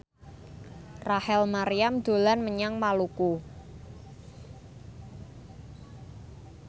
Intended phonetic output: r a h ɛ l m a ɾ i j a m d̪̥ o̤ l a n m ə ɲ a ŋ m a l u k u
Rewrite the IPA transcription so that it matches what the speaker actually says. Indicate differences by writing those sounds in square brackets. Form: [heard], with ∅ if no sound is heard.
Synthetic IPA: r a h ɛ l m a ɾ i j a m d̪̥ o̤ l a n m ə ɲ a ŋ m a l u k u

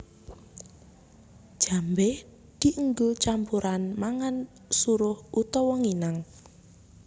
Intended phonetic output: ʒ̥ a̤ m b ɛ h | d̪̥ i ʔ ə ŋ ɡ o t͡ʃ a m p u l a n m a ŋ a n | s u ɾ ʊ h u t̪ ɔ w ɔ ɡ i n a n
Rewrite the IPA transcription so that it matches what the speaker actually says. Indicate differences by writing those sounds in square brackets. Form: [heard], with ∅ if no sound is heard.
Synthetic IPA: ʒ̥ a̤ m b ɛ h | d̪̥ i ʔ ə ŋ ɡ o t͡ʃ a m p u [ɾ] a n m a ŋ a n | s u ɾ ʊ h u t̪ ɔ w ɔ [ŋ] i n a [ŋ]

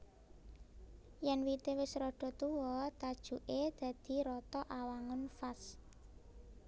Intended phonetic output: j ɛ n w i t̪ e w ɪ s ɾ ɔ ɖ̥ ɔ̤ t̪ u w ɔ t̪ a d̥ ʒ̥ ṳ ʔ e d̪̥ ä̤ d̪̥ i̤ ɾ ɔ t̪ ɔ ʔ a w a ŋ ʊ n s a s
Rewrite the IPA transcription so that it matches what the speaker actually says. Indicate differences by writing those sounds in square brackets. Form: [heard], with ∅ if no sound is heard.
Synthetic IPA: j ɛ n w i t̪ e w ɪ s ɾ ɔ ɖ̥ ɔ̤ t̪ u w ɔ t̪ a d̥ ʒ̥ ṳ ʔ e d̪̥ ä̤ d̪̥ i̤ ɾ ɔ t̪ ɔ ʔ a w a ŋ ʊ n [f] a s

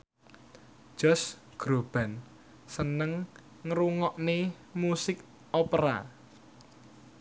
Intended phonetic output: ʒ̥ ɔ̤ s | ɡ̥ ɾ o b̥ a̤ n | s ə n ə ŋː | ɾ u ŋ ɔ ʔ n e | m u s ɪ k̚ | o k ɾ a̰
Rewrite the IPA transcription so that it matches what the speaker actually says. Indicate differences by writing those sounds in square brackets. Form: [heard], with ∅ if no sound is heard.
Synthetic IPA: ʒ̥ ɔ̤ s | ɡ̥ ɾ o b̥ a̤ n | s ə n ə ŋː | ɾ u ŋ ɔ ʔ n e | m u s ɪ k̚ | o [p] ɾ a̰

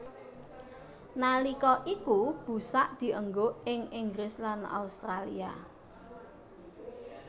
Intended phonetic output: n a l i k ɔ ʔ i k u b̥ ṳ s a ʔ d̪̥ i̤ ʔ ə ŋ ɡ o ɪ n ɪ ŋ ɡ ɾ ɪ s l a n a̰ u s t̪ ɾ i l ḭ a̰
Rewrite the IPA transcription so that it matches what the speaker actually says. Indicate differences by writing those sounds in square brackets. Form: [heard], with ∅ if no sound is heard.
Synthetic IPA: n a l i k ɔ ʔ i k u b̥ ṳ s a ʔ d̪̥ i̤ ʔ ə ŋ ɡ o ɪ [ŋ] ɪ ŋ ɡ ɾ ɪ s l a n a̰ u s t̪ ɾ [a] l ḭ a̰

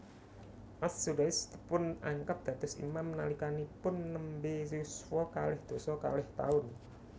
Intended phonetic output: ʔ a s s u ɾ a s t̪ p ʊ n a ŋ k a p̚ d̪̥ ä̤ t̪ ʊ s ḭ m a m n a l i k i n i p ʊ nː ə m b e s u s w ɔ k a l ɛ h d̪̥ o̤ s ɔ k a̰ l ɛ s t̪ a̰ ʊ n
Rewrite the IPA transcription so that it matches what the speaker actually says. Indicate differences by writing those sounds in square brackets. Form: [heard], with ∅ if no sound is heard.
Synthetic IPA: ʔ a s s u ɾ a s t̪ p ʊ n a ŋ k a p̚ d̪̥ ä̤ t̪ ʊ s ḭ m a m n a l i k [a] n i p ʊ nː ə m b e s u s w ɔ k a l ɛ h d̪̥ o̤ s ɔ k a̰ l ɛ [h] t̪ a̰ ʊ n

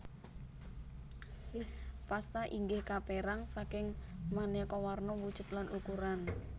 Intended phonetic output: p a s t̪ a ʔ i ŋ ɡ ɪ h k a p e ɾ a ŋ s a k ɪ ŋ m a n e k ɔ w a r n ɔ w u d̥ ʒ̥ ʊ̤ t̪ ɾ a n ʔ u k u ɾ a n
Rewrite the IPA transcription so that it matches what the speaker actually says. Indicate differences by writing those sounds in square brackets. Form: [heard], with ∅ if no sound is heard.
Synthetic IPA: p a s t̪ a ʔ i ŋ ɡ ɪ h k a p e ɾ a ŋ s a k ɪ ŋ m a n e k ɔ w a r n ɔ w u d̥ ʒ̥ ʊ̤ t̪ [l] a n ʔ u k u ɾ a n

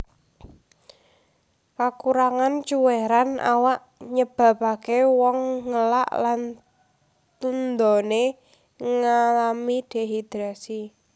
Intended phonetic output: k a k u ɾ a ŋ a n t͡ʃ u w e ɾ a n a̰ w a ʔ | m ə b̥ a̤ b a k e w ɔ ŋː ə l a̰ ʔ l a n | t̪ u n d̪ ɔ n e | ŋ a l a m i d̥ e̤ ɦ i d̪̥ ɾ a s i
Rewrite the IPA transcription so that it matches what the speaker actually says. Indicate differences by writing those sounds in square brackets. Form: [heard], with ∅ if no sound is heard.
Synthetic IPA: k a k u ɾ a ŋ a n t͡ʃ u w e ɾ a n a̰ w a ʔ | [ɲ] ə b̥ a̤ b a k e w ɔ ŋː ə l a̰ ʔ l a n | t̪ u n d̪ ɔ n e | ŋ a l a m i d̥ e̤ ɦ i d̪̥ ɾ a s i

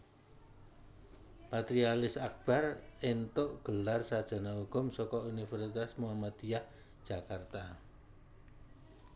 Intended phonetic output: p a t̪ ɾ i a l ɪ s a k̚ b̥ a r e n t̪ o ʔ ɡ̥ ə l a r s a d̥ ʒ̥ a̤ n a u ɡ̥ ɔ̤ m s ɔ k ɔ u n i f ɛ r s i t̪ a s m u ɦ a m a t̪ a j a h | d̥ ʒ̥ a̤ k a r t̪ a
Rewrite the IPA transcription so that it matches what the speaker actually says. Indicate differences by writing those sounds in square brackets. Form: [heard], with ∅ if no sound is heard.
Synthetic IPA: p a t̪ ɾ i a l ɪ s a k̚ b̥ a r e n t̪ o ʔ ɡ̥ ə l a r s a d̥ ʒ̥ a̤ n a u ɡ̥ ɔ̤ m s ɔ k ɔ u n i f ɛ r s i t̪ a s m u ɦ a m a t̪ [i] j a h | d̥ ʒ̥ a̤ k a r t̪ a

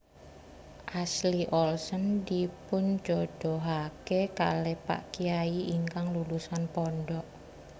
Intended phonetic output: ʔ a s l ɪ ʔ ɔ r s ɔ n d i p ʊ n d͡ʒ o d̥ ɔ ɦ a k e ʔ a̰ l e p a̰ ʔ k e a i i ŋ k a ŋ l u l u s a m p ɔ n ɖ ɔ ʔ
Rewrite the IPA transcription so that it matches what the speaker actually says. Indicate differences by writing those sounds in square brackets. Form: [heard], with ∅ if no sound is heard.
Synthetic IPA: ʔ a s l [i] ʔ ɔ [l] s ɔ n d i p ʊ n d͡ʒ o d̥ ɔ ɦ a k e [k] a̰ l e p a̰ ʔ k [i] a i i ŋ k a ŋ l u l u s a [n] p ɔ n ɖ ɔ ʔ

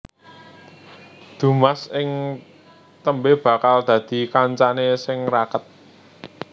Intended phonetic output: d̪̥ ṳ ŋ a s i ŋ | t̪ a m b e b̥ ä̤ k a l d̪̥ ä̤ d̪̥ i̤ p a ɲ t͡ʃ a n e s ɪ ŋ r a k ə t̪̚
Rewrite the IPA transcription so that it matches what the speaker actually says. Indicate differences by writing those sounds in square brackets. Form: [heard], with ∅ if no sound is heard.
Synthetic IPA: d̪̥ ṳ [m] a s [ɪ] ŋ | t̪ [ə] m b e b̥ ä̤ k a l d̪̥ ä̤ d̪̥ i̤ [k] a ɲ t͡ʃ a n e s ɪ ŋ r a k ə t̪̚

